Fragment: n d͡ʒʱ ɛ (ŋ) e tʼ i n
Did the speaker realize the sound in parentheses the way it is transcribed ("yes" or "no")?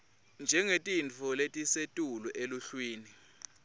yes